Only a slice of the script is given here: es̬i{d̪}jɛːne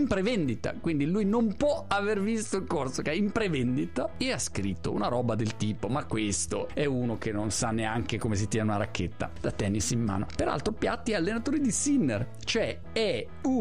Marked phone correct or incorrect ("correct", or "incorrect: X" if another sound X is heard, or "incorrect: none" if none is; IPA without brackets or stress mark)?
incorrect: t̪